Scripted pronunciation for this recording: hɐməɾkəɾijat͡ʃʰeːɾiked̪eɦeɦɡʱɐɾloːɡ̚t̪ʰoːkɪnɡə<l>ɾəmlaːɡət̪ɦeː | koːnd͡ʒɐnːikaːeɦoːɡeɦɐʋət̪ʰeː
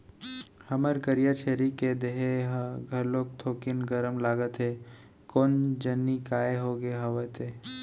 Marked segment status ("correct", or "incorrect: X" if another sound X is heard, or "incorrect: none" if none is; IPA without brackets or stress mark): incorrect: none